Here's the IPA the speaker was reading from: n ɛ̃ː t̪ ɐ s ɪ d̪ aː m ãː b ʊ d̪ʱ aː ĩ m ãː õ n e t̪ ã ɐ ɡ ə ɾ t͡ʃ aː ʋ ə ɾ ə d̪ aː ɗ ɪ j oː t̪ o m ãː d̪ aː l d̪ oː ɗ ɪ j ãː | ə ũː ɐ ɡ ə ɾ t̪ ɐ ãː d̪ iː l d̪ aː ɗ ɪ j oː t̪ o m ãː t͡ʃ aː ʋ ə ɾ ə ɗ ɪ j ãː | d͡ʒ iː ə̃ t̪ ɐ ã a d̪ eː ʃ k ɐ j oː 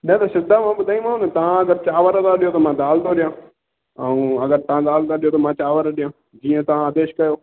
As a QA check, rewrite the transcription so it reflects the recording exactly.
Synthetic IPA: n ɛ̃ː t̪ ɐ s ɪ d̪ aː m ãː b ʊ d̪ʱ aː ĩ m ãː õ n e t̪ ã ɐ ɡ ə ɾ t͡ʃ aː ʋ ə ɾ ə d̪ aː ɗ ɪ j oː t̪ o m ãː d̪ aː l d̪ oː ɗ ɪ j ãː | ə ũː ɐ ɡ ə ɾ t̪ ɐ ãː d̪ aː l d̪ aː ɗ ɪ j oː t̪ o m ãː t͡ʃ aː ʋ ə ɾ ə ɗ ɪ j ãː | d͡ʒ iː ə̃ t̪ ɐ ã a d̪ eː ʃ k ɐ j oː